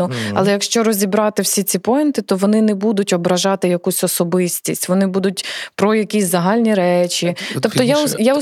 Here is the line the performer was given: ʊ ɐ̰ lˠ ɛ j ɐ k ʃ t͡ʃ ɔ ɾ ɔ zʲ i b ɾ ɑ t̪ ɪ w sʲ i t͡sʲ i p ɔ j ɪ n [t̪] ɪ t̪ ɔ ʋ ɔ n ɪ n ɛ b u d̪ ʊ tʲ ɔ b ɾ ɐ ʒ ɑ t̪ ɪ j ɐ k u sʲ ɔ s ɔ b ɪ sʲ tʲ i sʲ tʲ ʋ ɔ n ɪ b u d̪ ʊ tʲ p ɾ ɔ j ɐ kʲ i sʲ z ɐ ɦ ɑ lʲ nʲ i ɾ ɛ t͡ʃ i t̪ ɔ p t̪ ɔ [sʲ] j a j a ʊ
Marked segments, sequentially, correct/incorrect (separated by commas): correct, incorrect